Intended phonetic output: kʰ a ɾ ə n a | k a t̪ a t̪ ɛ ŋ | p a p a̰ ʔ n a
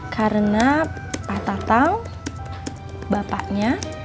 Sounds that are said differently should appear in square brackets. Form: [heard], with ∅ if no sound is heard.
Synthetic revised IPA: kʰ a ɾ ə n a | [p] a t̪ a t̪ [a] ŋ | [b] a p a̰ ʔ [ɲ] a